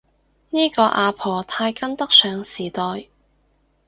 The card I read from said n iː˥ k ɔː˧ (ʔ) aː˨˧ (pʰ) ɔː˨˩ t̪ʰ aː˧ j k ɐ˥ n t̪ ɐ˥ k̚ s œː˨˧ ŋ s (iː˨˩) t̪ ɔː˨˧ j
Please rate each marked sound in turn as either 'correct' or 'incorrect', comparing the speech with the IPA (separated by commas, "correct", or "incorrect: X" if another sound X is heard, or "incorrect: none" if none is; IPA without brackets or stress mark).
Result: correct, correct, correct